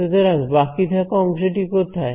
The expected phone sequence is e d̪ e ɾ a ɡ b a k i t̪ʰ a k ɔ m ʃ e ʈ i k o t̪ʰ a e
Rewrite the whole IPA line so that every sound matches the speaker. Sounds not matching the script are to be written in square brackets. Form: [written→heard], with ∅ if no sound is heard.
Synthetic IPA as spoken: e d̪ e ɾ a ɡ b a k i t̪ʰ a k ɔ m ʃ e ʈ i k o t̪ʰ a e